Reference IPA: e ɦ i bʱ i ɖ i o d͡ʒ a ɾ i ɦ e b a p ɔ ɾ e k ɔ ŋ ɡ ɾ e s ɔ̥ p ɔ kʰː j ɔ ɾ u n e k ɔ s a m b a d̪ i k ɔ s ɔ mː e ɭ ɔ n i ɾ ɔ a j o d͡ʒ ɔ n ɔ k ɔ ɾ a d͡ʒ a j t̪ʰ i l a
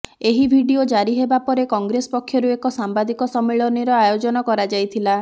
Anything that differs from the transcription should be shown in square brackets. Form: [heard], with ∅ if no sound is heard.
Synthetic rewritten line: e ɦ i bʱ i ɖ i o d͡ʒ a ɾ i ɦ e b a p ɔ ɾ e k ɔ ŋ ɡ ɾ e s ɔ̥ p ɔ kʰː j ɔ ɾ u [∅] e k ɔ s a m b a d̪ i k ɔ s ɔ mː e ɭ ɔ n i ɾ ɔ a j o d͡ʒ ɔ n ɔ k ɔ ɾ a d͡ʒ a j t̪ʰ i l a